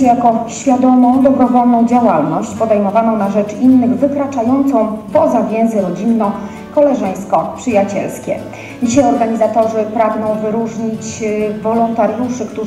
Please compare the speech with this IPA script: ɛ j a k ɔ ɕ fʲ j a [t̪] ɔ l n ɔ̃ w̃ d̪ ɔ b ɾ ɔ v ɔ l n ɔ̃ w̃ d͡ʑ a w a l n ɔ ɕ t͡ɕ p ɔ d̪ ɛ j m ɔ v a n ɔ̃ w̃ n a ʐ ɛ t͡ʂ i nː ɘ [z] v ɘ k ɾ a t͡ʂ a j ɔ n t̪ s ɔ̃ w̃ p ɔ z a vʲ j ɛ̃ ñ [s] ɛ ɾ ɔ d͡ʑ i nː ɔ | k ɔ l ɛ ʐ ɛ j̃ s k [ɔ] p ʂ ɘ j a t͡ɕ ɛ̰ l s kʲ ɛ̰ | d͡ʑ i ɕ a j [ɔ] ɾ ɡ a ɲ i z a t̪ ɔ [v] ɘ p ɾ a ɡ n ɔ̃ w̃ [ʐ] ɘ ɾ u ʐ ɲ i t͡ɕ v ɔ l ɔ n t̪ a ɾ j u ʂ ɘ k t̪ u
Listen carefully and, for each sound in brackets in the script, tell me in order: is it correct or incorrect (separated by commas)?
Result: incorrect, incorrect, incorrect, correct, correct, incorrect, incorrect